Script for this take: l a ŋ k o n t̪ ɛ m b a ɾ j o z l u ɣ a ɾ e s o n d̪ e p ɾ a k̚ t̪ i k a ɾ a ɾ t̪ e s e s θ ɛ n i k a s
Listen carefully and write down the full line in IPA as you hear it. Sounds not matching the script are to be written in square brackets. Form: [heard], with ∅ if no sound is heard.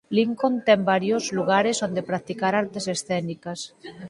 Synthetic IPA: l [i] ŋ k o n t̪ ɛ m b a ɾ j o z l u ɣ a ɾ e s o n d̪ e p ɾ a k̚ t̪ i k a ɾ a ɾ t̪ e s e s θ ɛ n i k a s